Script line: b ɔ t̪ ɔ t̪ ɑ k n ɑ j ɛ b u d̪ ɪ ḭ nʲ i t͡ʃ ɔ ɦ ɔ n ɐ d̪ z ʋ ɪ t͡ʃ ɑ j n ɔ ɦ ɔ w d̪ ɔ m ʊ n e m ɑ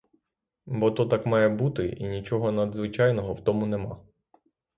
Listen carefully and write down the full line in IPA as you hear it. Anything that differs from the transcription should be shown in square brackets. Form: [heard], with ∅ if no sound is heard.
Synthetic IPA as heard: b ɔ t̪ ɔ t̪ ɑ k [m] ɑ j ɛ b u [t̪] ɪ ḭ nʲ i t͡ʃ ɔ ɦ ɔ n ɐ d̪ z ʋ ɪ t͡ʃ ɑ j n ɔ ɦ ɔ w [t̪] ɔ m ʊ n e m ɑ